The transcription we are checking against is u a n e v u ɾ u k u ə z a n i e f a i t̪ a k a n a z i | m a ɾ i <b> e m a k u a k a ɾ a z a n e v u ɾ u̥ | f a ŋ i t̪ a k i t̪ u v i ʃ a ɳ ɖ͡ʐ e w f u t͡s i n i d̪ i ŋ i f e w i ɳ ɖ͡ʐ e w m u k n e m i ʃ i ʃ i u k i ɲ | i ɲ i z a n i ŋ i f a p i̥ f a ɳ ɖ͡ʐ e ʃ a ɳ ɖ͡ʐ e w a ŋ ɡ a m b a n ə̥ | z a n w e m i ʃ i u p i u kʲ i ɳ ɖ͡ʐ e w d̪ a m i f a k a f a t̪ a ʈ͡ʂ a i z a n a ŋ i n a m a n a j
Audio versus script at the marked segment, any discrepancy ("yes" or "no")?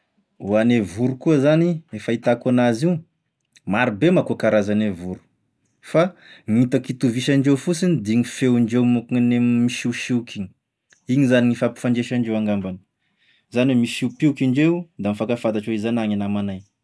no